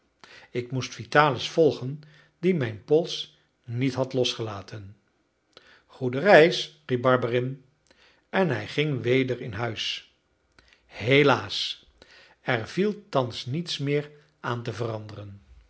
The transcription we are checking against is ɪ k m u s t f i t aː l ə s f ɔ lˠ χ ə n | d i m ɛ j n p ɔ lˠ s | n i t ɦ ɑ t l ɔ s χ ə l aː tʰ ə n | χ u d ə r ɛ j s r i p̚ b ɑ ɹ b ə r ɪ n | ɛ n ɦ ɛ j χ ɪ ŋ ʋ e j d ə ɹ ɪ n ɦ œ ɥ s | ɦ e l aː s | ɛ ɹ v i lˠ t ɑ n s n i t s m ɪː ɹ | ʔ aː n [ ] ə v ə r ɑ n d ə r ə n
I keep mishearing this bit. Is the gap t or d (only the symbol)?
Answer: t